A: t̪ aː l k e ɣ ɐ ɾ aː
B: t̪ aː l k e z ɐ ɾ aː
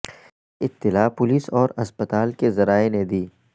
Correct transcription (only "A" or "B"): B